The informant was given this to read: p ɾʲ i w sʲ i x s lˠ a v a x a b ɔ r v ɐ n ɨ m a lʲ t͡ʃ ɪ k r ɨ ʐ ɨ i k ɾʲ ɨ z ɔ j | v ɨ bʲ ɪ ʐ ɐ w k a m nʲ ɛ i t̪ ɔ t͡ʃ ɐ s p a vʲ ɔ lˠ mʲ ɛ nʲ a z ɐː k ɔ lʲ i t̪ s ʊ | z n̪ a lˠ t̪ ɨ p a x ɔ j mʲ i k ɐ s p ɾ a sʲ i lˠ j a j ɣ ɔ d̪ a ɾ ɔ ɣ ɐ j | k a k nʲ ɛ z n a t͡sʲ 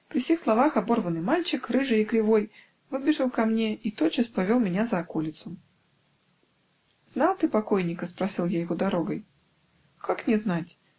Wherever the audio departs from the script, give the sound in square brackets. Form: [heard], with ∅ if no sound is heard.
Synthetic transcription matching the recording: p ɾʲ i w sʲ i x s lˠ a v a x a b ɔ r v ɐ n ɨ m a lʲ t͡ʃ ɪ k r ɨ ʐ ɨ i k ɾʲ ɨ [v] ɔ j | v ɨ bʲ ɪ ʐ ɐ w k a m nʲ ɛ i t̪ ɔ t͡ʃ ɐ s p a vʲ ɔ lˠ mʲ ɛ nʲ a z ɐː k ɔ lʲ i t̪ s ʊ | z n̪ a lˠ t̪ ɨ p a [k] ɔ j [nʲ] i k ɐ s p ɾ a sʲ i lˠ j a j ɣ ɔ d̪ a ɾ ɔ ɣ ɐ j | k a k nʲ ɛ z n a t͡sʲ